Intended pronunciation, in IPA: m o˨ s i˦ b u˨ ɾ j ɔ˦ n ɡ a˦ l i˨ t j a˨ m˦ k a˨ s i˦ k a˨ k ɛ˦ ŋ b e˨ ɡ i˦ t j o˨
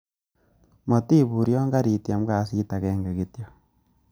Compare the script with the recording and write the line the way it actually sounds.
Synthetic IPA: m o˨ t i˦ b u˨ ɾ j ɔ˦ ŋ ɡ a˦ ɾ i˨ t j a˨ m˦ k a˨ s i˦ t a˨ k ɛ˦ ŋ ɡ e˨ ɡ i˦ t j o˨